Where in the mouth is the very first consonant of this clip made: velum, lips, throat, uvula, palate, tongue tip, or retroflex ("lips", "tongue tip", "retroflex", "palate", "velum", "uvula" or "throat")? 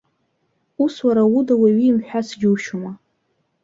tongue tip